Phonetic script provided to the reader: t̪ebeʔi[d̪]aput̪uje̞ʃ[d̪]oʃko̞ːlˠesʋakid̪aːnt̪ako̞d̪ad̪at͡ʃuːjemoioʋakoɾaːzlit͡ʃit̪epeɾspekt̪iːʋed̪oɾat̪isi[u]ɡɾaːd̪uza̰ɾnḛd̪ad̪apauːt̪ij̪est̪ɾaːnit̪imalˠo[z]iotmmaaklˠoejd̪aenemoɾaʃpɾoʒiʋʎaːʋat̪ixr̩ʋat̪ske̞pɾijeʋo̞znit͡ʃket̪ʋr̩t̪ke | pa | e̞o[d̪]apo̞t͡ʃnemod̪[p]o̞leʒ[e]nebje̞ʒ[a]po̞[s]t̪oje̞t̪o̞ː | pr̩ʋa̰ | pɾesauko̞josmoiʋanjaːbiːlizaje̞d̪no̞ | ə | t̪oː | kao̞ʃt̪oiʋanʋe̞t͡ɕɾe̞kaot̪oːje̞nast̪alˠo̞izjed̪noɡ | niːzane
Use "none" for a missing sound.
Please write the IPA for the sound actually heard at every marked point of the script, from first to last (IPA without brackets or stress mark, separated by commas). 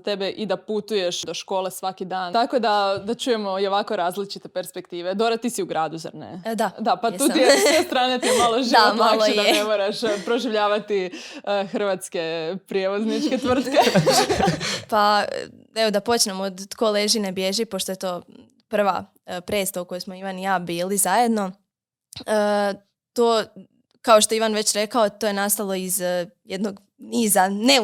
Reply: d̪, d̪, u, ʒ, d̪, k, i, i, ʃ